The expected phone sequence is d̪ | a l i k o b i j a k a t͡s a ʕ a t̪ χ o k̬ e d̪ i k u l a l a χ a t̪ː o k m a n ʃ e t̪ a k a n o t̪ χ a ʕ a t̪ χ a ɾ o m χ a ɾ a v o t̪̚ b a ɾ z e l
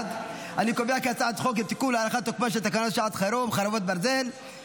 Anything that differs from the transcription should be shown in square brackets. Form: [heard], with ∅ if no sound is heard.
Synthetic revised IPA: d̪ | a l i k o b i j a k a t͡s a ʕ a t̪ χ o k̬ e [t̪] i k u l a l a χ a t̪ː o k m a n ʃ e t̪ a k a n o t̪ [ʃ] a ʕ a t̪ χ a ɾ o m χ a ɾ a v o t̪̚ b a ɾ z e l